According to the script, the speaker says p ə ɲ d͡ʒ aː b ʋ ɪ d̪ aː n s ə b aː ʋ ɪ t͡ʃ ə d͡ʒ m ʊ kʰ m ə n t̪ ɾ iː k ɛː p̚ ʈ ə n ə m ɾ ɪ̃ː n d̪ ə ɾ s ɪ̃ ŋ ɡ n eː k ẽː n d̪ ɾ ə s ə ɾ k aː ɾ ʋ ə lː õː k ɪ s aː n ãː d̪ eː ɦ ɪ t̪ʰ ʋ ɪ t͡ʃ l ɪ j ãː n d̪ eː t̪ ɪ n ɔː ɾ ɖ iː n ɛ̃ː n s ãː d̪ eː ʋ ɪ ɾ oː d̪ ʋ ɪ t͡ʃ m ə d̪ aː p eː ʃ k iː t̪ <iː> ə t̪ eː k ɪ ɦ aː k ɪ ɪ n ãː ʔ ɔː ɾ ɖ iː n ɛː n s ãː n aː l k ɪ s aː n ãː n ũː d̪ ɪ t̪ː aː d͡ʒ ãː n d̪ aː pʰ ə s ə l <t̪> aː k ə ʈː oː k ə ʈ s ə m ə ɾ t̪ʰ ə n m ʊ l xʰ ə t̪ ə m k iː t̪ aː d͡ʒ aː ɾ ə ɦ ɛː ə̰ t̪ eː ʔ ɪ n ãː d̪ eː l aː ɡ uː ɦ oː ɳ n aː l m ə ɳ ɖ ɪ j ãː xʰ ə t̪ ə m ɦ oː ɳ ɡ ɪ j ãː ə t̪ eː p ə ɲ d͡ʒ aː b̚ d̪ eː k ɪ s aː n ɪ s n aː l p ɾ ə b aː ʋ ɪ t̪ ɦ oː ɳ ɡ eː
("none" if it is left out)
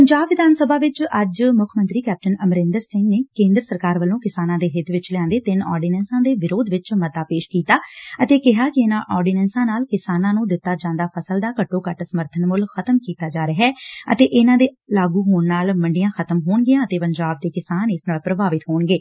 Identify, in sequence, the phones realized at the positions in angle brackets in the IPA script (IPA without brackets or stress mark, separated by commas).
aː, d̪